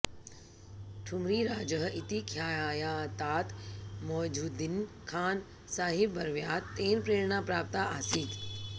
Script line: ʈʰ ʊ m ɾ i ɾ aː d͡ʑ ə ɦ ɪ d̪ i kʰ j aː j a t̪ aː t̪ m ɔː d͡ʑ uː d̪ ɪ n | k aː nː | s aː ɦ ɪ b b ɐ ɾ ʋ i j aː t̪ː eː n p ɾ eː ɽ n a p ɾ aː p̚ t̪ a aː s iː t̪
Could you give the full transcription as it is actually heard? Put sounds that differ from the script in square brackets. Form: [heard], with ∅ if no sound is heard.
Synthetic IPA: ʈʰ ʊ m ɾ i ɾ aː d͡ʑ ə ɦ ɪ [t̪] i kʰ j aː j a t̪ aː t̪ m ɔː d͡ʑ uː d̪ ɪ n | [kʰ] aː [n] | s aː ɦ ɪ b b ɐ ɾ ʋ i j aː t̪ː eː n p ɾ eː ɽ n a p ɾ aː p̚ t̪ a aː s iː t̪